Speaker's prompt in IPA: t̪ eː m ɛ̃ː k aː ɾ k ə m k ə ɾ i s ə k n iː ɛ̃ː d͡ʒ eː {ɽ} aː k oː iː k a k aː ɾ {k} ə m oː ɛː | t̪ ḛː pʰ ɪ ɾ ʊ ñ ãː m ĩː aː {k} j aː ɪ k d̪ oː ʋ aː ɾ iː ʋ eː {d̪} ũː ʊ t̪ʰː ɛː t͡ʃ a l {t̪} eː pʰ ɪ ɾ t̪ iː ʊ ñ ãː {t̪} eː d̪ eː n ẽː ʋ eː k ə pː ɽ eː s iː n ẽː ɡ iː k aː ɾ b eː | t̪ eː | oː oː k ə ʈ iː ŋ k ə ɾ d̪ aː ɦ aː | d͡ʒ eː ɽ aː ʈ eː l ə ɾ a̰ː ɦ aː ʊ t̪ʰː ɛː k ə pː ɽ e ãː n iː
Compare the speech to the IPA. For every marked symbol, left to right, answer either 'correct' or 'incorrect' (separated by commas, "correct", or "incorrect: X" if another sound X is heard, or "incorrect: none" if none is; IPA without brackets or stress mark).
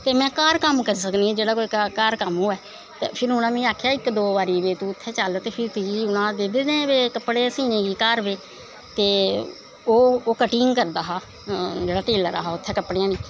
correct, correct, incorrect: kʰ, incorrect: t̪, correct, incorrect: d̪